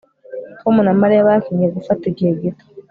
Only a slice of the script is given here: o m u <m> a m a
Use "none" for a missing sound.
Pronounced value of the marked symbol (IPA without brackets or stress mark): n